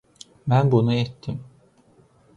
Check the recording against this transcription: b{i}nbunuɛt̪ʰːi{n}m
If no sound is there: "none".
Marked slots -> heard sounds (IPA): æ, none

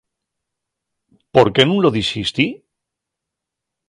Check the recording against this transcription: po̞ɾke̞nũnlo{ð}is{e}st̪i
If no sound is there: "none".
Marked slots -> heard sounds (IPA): ð, i

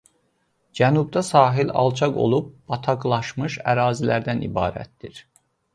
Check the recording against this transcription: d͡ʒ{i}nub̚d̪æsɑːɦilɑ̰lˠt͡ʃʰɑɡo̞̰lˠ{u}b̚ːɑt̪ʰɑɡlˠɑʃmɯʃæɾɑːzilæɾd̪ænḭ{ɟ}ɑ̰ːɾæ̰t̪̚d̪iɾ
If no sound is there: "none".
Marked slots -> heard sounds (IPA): æ, u, b

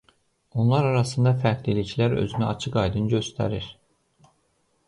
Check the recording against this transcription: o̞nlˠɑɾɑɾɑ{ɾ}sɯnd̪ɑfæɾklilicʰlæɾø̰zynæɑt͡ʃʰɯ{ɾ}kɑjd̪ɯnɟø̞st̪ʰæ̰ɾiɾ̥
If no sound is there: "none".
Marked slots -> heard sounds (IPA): none, none

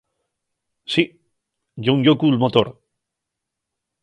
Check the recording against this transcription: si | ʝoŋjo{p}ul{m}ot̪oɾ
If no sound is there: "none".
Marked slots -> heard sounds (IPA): k, m

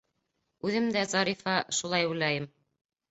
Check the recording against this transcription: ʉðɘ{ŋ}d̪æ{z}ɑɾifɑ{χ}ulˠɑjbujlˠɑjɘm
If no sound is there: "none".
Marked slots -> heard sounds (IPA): m, z, ʃ

